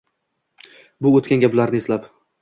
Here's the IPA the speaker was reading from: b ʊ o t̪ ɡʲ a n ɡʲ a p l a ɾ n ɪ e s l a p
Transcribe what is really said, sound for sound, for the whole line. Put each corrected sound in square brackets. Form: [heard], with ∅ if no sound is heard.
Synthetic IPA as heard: b ʊ o t̪ [kʲ] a n ɡʲ a p l a ɾ n ɪ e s l a p